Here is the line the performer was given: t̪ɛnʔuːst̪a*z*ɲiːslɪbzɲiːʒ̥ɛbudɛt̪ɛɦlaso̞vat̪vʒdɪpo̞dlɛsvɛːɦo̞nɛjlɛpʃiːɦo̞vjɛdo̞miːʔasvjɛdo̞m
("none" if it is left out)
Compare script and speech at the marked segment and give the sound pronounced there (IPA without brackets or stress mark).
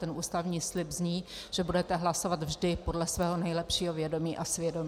v